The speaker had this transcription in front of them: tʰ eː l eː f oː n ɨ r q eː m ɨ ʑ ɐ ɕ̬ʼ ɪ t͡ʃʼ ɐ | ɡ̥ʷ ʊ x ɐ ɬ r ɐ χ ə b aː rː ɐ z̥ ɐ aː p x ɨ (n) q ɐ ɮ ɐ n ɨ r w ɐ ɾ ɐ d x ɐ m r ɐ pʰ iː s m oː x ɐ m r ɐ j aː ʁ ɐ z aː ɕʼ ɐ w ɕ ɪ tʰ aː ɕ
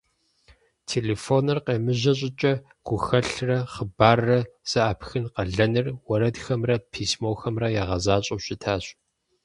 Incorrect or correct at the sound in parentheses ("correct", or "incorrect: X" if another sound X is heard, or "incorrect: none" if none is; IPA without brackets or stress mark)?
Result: correct